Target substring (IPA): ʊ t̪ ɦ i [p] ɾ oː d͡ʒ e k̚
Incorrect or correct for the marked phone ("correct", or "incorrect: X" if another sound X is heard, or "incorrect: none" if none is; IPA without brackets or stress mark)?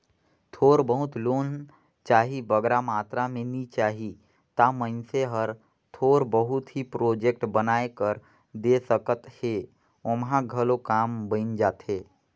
correct